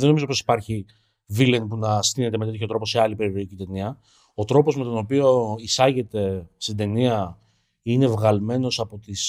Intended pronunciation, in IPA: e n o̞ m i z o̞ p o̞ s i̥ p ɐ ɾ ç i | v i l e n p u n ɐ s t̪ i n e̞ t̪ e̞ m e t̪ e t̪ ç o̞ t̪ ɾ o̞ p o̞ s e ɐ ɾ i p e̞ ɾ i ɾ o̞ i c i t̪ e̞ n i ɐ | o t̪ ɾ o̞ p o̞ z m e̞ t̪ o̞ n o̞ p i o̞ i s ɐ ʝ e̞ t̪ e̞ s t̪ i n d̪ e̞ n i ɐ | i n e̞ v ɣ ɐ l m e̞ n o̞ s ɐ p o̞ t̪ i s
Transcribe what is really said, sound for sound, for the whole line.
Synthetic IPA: e n o̞ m i z o̞ p o̞ s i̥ p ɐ ɾ ç i | v i l e n p u n ɐ s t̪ i n e̞ t̪ e̞ m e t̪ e t̪ ç o̞ t̪ ɾ o̞ p o̞ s e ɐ l i p e̞ ɾ i ɾ o̞ i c i t̪ e̞ n i ɐ | o t̪ ɾ o̞ p o̞ z m e̞ t̪ o̞ n o̞ p i o̞ i s ɐ ʝ e̞ t̪ e̞ s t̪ i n d̪ e̞ n i ɐ | i n e̞ v ɣ ɐ l m e̞ n o̞ s ɐ p o̞ t̪ i s